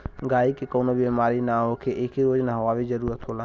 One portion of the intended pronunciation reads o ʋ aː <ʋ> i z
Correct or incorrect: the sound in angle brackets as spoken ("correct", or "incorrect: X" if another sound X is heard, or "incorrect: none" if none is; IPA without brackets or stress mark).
correct